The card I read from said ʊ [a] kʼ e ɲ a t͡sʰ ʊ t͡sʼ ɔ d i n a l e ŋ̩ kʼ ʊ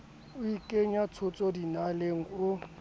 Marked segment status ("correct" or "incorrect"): incorrect